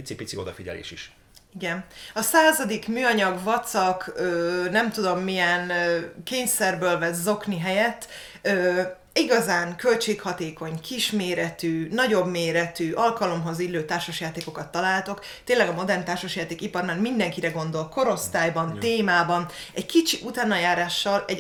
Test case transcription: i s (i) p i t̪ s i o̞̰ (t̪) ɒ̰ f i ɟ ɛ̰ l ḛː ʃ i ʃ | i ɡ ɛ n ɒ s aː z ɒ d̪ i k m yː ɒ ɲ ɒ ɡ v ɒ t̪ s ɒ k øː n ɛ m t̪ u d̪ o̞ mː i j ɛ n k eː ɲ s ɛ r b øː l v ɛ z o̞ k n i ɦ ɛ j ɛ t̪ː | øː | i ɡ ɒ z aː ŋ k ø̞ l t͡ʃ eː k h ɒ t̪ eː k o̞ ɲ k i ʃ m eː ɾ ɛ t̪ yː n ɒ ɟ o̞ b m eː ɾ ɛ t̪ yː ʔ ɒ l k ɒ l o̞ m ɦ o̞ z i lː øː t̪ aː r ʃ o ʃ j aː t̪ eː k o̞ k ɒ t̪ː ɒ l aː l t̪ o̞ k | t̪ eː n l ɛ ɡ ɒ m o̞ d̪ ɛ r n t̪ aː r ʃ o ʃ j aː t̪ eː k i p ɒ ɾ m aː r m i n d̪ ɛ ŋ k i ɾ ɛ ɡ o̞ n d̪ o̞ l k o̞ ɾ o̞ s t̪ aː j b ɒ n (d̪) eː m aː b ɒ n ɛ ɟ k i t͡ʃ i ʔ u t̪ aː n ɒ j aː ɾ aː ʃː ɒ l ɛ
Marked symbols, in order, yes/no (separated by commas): yes, no, no